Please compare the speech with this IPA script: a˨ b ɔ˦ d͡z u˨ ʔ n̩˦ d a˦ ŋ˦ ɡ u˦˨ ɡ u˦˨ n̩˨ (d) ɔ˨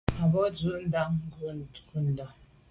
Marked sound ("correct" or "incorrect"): correct